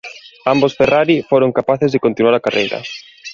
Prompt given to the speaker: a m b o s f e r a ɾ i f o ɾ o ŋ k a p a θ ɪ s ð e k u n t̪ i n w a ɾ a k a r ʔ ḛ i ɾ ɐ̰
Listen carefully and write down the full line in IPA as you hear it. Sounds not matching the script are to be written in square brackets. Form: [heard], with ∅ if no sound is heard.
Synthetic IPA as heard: a m b o s f e r a ɾ i f o ɾ o ŋ k a p a θ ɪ [z] ð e k [o] n t̪ i n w a ɾ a k a r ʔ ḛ [j] ɾ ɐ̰